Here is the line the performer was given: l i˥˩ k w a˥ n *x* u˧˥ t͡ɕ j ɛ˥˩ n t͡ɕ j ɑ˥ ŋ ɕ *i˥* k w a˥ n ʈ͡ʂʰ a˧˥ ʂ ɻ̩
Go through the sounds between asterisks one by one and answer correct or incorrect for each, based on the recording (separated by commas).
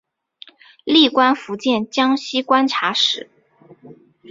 incorrect, correct